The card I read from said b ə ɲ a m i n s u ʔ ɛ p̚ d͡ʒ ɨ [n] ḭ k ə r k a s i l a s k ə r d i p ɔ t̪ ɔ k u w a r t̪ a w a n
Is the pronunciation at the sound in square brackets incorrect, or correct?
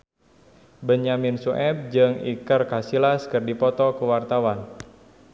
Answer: incorrect